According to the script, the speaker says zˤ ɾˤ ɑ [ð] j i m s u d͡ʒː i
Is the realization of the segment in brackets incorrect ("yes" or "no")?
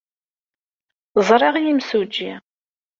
yes